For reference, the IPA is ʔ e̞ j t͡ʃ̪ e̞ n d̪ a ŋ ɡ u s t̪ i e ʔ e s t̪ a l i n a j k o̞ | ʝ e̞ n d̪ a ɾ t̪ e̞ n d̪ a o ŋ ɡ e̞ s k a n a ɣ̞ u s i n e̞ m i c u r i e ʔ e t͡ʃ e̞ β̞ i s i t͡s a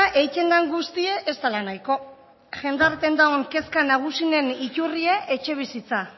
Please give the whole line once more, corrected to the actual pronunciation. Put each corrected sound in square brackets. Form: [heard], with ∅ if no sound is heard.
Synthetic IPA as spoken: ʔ e̞ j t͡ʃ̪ e̞ n d̪ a ŋ ɡ u s t̪ i e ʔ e s t̪ a l [a] n a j k o̞ | ʝ e̞ n d̪ a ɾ t̪ e̞ n d̪ a o ŋ [k] e̞ s k a n a ɣ̞ u s i n e̞ [n] i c u r i e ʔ e t͡ʃ e̞ β̞ i s i t͡s a